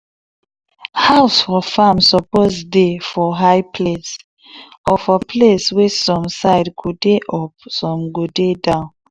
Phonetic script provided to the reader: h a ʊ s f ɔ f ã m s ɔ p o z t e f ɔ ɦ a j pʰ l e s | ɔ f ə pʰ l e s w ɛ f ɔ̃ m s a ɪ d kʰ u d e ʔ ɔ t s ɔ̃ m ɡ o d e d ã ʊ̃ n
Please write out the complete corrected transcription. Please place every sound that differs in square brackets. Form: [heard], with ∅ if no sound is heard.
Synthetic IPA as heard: h a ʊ s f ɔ f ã m s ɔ p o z [d] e f ɔ ɦ a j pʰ l e s | ɔ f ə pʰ l e s w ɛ [s] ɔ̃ m s a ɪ d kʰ u d e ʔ ɔ [p] s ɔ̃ m ɡ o d e d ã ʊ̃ n